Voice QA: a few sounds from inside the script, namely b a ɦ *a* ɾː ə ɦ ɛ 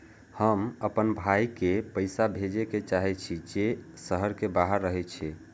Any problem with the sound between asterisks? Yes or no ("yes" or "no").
yes